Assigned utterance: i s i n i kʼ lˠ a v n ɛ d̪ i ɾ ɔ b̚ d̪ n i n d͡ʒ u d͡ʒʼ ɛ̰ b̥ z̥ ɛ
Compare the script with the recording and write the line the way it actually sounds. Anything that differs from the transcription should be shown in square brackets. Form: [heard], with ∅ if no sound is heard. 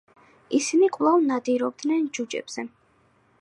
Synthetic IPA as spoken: i s i n i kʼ lˠ a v n [a] d̪ i ɾ ɔ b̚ d̪ n [ɛ] n d͡ʒ u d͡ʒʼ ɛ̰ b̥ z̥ ɛ